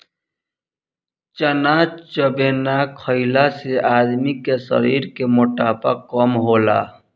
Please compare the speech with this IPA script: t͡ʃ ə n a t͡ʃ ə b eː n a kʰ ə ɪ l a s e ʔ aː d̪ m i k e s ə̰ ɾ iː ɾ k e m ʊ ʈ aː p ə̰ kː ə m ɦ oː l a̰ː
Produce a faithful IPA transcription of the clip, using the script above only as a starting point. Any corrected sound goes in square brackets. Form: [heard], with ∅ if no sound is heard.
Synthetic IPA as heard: t͡ʃ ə n a t͡ʃ ə b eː n a kʰ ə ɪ l a s e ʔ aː d̪ m i k e s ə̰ ɾ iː ɾ k e m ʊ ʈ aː p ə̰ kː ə m ɦ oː l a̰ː